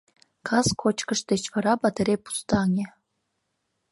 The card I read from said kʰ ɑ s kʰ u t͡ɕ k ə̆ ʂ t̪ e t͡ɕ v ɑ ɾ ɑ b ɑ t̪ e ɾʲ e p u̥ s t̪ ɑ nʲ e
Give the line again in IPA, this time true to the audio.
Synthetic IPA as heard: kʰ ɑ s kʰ o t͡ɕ k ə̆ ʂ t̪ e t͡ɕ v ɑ ɾ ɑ b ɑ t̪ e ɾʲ e p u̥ s t̪ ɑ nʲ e